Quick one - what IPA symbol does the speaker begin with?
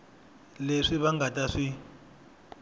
l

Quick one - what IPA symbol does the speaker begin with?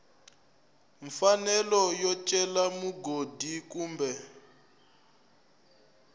ɱ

